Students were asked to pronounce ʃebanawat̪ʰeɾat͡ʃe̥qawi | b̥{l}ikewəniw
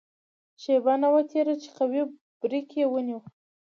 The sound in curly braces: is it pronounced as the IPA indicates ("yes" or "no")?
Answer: no